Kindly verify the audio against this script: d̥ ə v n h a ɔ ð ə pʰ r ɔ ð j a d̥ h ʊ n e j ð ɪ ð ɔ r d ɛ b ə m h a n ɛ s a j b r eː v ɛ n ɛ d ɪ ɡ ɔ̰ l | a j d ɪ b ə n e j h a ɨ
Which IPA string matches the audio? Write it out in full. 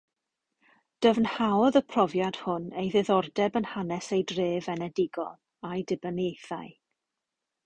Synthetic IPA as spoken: d̥ ə v n h a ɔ ð ə pʰ r ɔ v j a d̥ h ʊ n e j ð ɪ ð ɔ r d ɛ b ə n h a n ɛ s e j d r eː v ɛ n ɛ d ɪ ɡ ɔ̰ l | a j d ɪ b ə n e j θ a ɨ

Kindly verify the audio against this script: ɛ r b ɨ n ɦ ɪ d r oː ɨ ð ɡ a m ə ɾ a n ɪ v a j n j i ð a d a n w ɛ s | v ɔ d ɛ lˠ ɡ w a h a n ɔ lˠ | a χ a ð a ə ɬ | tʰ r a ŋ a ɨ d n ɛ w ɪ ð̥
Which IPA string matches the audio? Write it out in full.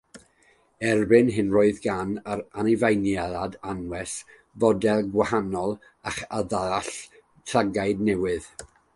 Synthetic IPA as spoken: ɛ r b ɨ n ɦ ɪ n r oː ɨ ð ɡ a n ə ɾ a n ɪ v a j n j a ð a d a n w ɛ s | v ɔ d ɛ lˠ ɡ w a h a n ɔ lˠ | a χ a ð a a ɬ | tʰ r a ɡ a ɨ d n ɛ w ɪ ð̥

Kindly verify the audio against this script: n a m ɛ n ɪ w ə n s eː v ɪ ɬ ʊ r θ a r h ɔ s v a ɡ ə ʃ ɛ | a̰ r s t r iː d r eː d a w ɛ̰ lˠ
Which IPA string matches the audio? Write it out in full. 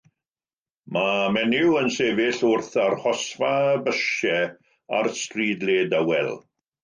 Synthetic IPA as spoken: m a m ɛ n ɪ w ə n s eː v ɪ ɬ ʊ r θ a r h ɔ s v a b ə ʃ ɛ | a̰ r s t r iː d l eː d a w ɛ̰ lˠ

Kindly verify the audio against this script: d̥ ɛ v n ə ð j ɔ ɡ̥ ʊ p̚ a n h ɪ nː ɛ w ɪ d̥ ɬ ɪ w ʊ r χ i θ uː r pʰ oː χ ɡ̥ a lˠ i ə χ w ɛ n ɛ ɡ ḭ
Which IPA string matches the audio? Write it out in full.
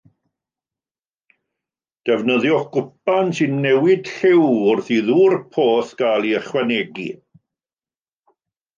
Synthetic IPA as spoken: d̥ ɛ v n ə ð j ɔ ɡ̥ ʊ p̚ a n s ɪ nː ɛ w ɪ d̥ ɬ ɪ w ʊ r θ i ð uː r pʰ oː θ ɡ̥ a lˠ i ə χ w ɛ n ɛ ɡ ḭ

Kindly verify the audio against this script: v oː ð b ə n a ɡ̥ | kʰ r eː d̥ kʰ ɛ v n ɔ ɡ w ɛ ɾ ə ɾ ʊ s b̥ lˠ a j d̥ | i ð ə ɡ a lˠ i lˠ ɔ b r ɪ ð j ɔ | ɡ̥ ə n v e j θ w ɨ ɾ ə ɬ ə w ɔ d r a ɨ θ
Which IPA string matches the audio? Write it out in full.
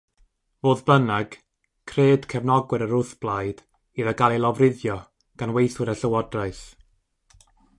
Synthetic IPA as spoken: v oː ð b ə n a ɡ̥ | kʰ r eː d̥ kʰ ɛ v n ɔ ɡ w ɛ ɾ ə ɾ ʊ θ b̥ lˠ a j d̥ | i ð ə ɡ a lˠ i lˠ ɔ v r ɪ ð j ɔ | ɡ̥ a n w e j θ w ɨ ɾ ə ɬ ə w ɔ d r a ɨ θ

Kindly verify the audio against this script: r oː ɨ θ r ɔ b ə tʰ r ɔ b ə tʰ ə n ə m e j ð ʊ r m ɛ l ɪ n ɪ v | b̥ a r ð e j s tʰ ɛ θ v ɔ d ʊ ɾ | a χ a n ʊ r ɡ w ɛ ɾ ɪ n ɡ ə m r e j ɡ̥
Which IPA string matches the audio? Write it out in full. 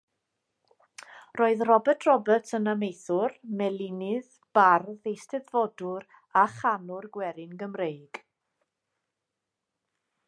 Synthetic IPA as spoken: r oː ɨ ð r ɔ b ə tʰ r ɔ b ə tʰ ə n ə m e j θ ʊ r m ɛ l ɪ n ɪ ð | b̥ a r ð e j s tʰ ɛ ð v ɔ d ʊ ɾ | a χ a n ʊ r ɡ w ɛ ɾ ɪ n ɡ ə m r e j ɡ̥

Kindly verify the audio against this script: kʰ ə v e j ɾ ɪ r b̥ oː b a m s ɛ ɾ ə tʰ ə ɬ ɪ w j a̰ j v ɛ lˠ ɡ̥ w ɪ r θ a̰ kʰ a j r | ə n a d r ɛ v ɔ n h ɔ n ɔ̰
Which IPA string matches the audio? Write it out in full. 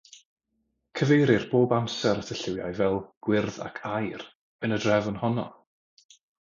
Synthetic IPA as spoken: kʰ ə v e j ɾ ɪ r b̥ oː b a m s ɛ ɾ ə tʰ ə ɬ ɪ w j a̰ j v ɛ lˠ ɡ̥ w ɪ r ð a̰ kʰ a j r | ə n ə d r ɛ v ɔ n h ɔ n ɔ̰

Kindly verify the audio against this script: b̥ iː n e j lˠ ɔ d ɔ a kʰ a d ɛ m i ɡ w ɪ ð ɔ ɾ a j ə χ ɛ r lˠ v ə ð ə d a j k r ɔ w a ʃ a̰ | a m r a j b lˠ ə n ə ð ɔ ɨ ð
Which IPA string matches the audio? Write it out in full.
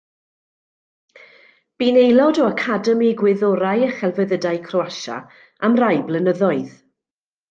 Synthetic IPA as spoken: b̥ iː n e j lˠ ɔ d ɔ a kʰ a d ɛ m i ɡ w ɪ ð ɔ ɾ a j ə χ ɛ lˠ v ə ð ə d a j kʰ r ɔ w a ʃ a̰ | a m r a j b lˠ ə n ə ð ɔ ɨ ð

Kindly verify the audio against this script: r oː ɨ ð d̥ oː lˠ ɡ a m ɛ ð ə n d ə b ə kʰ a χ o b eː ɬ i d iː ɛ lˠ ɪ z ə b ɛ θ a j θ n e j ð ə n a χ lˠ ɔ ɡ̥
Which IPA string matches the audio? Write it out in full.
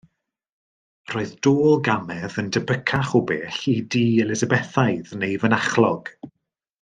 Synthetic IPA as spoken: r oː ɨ ð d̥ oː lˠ ɡ a m ɛ ð ə n d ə b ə kʰ a χ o b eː ɬ i d iː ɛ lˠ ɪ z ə b ɛ θ a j ð n e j v ə n a χ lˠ ɔ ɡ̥

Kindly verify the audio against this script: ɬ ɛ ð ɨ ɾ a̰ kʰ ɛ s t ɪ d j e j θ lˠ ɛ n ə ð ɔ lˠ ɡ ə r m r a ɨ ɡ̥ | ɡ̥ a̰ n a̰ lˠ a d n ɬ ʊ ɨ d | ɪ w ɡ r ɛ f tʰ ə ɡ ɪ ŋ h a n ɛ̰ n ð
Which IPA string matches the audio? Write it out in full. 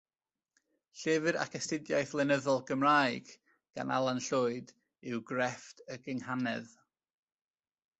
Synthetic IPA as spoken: ɬ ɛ v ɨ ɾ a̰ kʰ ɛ s t ɪ d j a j θ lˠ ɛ n ə ð ɔ lˠ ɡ ə m r a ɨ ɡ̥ | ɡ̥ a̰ n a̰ lˠ a n ɬ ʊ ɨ d | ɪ w ɡ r ɛ f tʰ ə ɡ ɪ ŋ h a n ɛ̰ ð

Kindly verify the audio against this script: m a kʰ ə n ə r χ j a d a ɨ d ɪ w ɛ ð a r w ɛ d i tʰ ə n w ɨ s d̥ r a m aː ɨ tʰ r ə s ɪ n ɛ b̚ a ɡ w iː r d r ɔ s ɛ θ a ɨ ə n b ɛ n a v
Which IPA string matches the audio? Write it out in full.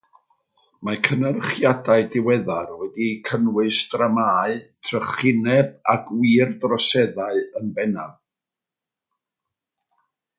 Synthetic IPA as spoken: m a kʰ ə n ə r χ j a d a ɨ d ɪ w ɛ ð a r w ɛ d i kʰ ə n w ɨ s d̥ r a m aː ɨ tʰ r ə χ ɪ n ɛ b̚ a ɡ w iː r d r ɔ s ɛ ð a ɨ ə n b ɛ n a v

